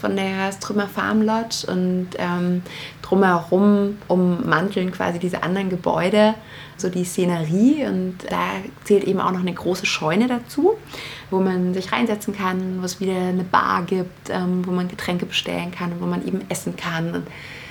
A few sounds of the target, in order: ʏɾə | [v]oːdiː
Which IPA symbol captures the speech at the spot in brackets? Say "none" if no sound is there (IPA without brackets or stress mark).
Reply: z